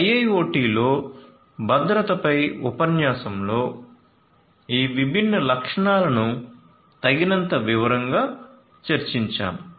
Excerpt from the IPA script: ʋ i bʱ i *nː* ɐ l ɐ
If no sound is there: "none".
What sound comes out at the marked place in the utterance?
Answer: nː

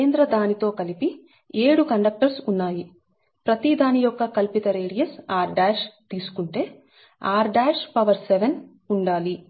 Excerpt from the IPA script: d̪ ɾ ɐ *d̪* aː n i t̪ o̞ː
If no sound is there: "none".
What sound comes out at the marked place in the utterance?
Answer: d̪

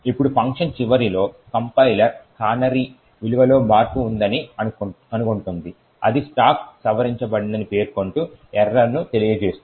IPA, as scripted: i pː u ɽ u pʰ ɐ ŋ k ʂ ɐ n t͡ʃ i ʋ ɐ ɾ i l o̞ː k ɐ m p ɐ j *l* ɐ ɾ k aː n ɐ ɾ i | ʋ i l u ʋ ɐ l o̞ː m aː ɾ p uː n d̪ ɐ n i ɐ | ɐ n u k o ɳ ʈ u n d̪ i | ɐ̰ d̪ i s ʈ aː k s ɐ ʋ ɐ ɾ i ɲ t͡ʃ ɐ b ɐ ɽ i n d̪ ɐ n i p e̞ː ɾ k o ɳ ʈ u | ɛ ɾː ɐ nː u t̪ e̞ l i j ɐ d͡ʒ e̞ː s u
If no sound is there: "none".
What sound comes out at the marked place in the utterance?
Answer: l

